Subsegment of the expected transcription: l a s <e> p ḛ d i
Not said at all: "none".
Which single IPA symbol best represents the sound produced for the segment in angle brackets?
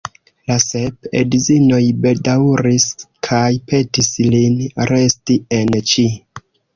e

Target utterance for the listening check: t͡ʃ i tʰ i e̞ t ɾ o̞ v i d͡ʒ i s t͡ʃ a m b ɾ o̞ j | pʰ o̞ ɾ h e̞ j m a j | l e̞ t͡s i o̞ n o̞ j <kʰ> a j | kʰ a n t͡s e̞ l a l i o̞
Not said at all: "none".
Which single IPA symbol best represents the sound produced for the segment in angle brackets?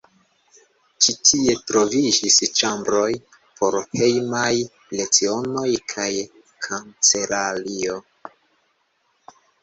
kʰ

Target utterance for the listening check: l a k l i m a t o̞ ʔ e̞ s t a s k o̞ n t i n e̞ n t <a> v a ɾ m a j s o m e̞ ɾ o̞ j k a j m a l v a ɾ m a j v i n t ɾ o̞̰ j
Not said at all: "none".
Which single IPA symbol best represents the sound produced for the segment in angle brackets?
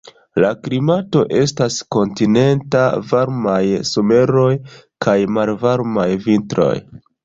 a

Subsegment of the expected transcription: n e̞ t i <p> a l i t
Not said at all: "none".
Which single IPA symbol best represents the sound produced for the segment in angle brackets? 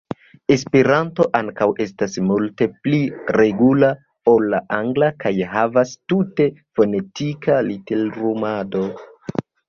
k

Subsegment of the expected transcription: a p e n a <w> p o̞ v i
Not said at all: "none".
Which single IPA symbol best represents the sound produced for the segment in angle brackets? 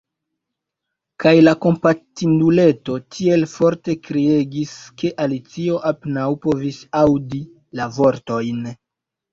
w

